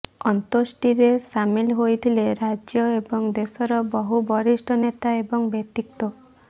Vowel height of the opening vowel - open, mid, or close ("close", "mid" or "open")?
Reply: mid